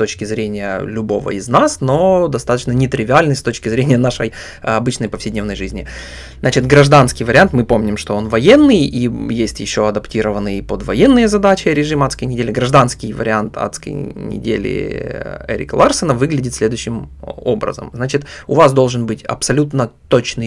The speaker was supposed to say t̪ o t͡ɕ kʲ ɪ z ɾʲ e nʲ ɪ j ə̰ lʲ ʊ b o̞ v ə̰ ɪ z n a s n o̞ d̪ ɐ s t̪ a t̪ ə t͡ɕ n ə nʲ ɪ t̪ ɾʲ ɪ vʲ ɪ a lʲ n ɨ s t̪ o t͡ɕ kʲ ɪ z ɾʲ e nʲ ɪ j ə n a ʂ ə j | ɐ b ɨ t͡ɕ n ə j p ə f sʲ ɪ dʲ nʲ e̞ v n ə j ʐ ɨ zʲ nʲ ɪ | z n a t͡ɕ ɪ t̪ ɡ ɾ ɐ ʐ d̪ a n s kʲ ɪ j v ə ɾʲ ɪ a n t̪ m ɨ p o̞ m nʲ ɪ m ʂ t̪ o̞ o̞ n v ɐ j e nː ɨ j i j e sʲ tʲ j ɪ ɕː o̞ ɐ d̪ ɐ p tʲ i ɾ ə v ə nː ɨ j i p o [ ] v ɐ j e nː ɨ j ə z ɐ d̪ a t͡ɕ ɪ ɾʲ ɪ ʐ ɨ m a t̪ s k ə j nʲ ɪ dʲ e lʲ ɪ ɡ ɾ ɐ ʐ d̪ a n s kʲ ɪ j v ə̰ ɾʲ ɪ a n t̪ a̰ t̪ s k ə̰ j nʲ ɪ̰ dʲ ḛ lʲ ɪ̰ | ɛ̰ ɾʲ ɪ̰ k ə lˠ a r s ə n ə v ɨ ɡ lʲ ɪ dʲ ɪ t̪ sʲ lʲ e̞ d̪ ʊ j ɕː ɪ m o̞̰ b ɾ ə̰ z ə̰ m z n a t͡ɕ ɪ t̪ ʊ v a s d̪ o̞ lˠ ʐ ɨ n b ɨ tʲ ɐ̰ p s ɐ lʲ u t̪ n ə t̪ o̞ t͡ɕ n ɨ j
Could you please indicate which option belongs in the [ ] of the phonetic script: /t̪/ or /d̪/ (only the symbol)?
d̪